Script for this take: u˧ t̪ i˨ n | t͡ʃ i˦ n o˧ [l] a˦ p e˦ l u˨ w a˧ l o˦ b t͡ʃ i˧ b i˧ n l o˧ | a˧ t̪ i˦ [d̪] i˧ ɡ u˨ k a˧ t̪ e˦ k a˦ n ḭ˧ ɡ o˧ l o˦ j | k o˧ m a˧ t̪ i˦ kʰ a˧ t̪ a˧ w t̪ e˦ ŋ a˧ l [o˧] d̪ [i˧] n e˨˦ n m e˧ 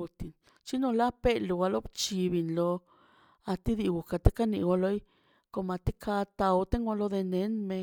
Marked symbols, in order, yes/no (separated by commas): yes, yes, yes, no